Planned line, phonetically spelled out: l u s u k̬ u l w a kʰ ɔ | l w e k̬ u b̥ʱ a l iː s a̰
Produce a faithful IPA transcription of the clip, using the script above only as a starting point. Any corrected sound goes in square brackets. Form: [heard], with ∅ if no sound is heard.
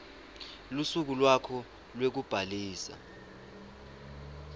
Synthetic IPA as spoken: l u s u k̬ u l w a kʰ ɔ | l w e k̬ u b̥ʱ a l iː s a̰